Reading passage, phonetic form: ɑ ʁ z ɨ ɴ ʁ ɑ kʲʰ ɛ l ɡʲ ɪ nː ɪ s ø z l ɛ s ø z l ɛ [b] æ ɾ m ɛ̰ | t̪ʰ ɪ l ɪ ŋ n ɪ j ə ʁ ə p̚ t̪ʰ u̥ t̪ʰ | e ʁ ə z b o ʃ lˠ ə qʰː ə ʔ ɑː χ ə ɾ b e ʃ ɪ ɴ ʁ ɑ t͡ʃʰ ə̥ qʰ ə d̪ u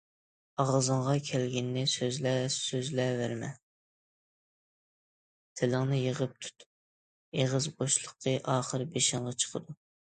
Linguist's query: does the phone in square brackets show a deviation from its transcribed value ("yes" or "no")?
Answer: yes